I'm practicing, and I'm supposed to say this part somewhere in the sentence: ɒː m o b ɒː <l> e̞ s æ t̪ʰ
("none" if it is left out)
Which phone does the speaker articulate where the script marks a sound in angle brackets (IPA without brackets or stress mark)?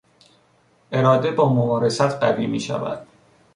ɾ